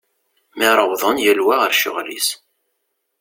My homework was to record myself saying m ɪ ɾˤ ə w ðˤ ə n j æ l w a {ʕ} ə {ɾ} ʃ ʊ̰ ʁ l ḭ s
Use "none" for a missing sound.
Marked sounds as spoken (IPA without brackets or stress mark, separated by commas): ʁ, ɾ